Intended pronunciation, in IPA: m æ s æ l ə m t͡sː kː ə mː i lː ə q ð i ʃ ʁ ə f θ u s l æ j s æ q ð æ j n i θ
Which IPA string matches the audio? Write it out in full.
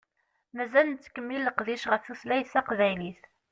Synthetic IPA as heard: m æ z æ l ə n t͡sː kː ə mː i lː ə q ð i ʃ ʁ ə f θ u s l æ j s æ q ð æ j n i θ